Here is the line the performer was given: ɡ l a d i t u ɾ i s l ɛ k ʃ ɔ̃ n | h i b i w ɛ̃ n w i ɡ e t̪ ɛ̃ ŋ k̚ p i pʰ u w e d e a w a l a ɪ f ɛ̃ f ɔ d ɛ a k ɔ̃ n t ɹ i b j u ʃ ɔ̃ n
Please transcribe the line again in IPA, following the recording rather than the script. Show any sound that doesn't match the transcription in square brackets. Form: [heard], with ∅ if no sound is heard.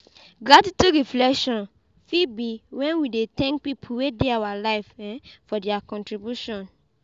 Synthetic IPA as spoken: ɡ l a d i t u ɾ i [f] l ɛ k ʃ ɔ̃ n | [f] i b i w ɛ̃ n w i [d] e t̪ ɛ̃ ŋ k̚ p i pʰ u w e d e a w a l a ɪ f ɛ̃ f ɔ d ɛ a k ɔ̃ n t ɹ i b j u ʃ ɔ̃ n

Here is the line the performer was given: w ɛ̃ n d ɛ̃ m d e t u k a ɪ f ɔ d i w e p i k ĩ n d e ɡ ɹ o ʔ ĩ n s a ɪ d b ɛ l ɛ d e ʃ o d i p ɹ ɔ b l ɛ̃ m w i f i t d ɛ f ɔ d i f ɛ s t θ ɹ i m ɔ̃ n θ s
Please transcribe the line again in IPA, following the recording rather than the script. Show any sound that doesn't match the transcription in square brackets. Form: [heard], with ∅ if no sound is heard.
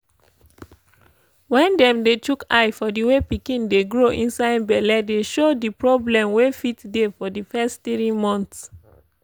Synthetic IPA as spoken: w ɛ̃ n d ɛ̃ m d e t u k a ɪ f ɔ d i w e p i k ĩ n d e ɡ ɹ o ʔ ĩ n s a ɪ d b ɛ l ɛ d e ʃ o d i p ɹ ɔ b l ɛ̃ m w [e] f i t d [e] f ɔ d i f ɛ s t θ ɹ i m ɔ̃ n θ s

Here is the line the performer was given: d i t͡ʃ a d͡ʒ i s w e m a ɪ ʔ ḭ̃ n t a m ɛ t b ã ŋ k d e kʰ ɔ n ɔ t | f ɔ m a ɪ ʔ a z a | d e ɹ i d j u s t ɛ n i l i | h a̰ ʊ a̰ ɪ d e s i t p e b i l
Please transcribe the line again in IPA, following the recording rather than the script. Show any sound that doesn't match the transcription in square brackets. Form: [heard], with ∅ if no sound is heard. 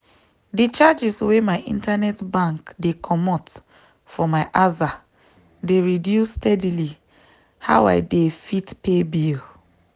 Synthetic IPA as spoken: d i t͡ʃ a d͡ʒ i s w e m a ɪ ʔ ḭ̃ n t a [n] ɛ t b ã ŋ k d e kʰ ɔ [m] ɔ t | f ɔ m a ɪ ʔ a z a | d e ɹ i d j u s t ɛ [d] i l i | h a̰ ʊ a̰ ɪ d e [f] i t p e b i l

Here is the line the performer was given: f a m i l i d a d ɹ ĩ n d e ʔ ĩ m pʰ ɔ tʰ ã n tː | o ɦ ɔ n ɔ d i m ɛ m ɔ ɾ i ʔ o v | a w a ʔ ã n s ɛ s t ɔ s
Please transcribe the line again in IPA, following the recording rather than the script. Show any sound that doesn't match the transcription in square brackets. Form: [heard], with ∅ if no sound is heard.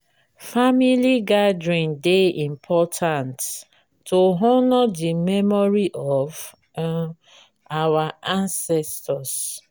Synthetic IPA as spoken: f a m i l i [ɡ] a d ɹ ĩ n d e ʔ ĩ m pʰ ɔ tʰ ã n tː | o ɦ ɔ n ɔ d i m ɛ m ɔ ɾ i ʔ [ɔ] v | a w a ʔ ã n s ɛ s t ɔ s

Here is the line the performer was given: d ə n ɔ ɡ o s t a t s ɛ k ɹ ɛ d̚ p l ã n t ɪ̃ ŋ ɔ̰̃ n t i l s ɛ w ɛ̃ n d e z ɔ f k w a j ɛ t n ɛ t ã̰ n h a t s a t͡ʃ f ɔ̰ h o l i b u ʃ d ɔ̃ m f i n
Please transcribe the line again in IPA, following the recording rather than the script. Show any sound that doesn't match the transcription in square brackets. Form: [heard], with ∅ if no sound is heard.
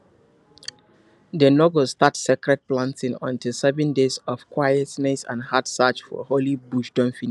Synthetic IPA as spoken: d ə n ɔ ɡ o s t a t s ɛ k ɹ ɛ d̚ p l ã n t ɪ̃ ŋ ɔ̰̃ n t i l s ɛ [v] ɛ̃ n d e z ɔ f k w a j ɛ t n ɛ [s] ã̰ n h a t s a t͡ʃ f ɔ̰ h o l i b u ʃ d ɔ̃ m f i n

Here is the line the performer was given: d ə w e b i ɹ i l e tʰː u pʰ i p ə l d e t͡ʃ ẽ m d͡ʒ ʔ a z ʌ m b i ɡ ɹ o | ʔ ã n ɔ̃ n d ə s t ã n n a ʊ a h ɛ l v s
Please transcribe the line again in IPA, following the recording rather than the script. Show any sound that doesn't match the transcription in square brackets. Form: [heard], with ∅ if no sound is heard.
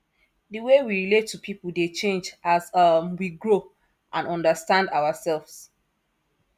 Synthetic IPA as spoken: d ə w e [w] i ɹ i l e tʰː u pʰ i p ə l d e t͡ʃ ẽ [n] d͡ʒ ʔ a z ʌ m [w] i ɡ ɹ o | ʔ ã n ɔ̃ n d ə s t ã n [d] a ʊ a [s] ɛ l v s

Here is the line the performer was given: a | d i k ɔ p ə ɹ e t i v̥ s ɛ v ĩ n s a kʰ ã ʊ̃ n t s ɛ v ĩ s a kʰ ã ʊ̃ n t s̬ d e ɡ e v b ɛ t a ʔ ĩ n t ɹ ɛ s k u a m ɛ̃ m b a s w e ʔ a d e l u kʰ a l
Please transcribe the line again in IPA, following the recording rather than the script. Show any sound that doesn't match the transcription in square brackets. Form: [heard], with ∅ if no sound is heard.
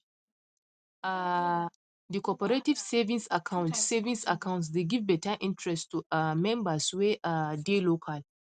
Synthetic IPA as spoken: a | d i k ɔ p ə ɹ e t i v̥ s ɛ v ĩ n s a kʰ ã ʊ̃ n t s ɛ v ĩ s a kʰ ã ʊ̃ n t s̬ d e ɡ [i] v b ɛ t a ʔ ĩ n t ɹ ɛ s [t] u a m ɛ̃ m b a s w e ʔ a d e l [o] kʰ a l

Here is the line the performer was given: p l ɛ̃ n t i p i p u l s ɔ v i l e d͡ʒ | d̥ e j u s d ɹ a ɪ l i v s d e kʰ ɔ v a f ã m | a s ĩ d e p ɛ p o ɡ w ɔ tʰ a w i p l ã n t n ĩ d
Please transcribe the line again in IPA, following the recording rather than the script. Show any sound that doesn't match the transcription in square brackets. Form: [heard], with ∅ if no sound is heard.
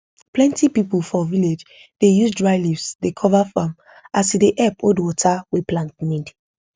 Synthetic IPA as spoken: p l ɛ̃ n t i p i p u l [f] ɔ v i l e d͡ʒ | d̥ e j u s d ɹ a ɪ l i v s d e kʰ ɔ v a f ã m | a s [i] d e [ʔ] ɛ p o [d] w ɔ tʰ a w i p l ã n t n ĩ d

